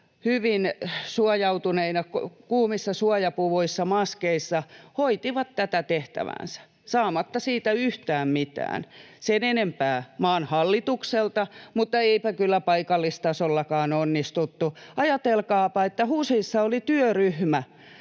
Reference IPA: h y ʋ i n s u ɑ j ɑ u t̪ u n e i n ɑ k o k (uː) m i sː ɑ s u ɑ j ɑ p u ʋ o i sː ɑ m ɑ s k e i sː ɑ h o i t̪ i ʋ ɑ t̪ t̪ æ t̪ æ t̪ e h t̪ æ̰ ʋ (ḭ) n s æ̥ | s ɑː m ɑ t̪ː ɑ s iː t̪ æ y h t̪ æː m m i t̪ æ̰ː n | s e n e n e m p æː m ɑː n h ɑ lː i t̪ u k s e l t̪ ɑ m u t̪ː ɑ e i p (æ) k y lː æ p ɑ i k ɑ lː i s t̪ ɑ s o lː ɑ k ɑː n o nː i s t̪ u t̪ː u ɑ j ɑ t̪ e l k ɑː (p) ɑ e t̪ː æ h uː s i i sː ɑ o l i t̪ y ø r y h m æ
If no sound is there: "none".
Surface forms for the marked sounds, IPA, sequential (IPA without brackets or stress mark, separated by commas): uː, æ̰, æ, p